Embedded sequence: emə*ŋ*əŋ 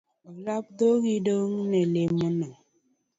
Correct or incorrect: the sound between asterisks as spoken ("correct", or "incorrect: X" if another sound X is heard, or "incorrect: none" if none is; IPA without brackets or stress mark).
incorrect: n